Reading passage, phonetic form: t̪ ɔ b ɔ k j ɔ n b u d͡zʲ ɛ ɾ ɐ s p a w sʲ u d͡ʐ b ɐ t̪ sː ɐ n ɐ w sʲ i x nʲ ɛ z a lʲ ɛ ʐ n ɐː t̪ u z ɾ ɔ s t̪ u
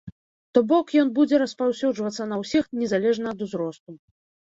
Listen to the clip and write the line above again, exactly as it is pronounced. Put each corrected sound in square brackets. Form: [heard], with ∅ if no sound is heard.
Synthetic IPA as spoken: t̪ ɔ b ɔ k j ɔ n b u d͡zʲ ɛ ɾ ɐ s p a w sʲ u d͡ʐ [v] ɐ t̪ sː ɐ n ɐ w sʲ i x nʲ ɛ z a lʲ ɛ ʐ n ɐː [d̪] u z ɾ ɔ s t̪ u